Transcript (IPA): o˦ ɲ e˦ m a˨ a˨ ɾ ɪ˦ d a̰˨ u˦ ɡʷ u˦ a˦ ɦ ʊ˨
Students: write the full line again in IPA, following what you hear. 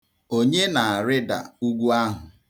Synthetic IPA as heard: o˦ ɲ e˦ n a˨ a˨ ɾ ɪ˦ d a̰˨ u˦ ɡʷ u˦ a˦ ɦ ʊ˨